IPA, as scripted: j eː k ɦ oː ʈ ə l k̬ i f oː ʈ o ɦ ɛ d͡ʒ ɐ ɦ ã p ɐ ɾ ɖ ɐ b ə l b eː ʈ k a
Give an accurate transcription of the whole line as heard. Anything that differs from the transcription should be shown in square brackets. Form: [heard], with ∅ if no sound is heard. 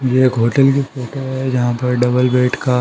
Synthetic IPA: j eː k ɦ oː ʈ ə l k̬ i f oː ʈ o ɦ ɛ d͡ʒ ɐ ɦ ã p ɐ ɾ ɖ ɐ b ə l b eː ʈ k a

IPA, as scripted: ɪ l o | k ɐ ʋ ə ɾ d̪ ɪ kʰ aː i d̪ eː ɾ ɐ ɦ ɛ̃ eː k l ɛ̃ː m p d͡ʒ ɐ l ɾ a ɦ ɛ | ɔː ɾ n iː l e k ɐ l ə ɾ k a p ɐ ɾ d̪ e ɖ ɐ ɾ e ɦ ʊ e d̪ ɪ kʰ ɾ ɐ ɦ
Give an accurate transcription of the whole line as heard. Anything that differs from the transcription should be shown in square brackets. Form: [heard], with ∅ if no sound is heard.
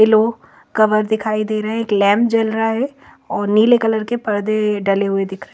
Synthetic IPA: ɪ l o | k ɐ ʋ ə ɾ d̪ ɪ kʰ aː i d̪ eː ɾ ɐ ɦ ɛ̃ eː k l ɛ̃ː m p d͡ʒ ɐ l ɾ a ɦ ɛ | ɔː ɾ n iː l e k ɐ l ə ɾ k [e] p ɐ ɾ d̪ e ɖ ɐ [l] e ɦ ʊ e d̪ ɪ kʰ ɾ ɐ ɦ

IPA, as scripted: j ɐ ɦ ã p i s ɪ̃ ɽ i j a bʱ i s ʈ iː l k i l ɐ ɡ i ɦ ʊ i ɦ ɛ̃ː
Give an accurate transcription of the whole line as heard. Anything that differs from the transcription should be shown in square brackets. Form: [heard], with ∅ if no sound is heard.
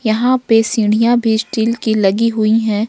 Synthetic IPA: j ɐ ɦ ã p [e] s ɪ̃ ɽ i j a bʱ i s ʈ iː l k i l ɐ ɡ i ɦ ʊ i ɦ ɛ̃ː

